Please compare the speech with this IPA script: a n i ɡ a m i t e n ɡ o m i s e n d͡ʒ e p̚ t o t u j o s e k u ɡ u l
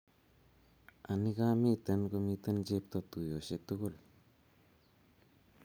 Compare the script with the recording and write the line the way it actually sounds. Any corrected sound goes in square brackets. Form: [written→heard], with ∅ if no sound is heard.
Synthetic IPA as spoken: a n i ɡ a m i t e n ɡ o m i [s→t] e n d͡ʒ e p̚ t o t u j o s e [k→t] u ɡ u l